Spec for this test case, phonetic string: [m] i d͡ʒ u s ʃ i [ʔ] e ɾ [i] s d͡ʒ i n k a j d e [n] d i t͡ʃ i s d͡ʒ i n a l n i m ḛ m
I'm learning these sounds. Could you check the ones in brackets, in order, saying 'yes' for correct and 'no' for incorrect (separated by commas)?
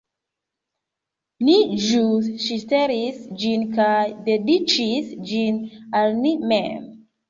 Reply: no, no, yes, no